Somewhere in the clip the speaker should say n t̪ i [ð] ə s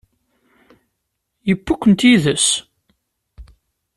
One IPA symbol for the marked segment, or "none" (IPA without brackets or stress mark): ð